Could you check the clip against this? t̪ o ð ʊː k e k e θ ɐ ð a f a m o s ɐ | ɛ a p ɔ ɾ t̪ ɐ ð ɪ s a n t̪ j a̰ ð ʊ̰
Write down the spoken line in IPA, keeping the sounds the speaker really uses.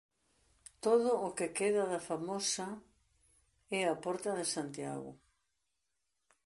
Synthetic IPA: t̪ o ð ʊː k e k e ð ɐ ð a f a m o s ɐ | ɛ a p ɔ ɾ t̪ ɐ ð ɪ s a n t̪ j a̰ ɣ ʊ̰